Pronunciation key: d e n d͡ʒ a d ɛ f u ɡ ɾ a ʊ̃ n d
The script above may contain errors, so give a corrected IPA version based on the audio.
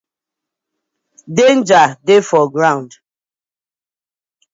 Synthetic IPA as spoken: d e n d͡ʒ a d e f ɔ ɡ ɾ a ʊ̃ n d